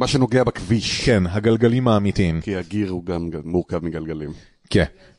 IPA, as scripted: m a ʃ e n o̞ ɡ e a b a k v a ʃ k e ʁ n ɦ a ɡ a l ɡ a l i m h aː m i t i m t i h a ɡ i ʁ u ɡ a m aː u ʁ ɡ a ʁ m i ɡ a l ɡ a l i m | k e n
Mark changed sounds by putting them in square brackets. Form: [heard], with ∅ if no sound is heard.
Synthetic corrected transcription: m a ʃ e n o̞ ɡ e a b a k v [i] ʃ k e [∅] n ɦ a ɡ a l ɡ a l i m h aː m i t i m [k] i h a ɡ i ʁ u ɡ a m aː u ʁ [k] a [v] m i ɡ a l ɡ a l i m | k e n